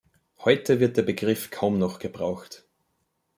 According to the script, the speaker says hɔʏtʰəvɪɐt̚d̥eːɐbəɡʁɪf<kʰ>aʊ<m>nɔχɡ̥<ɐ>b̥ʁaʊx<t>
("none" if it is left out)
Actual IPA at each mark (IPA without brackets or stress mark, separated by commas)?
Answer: kʰ, m, ə, t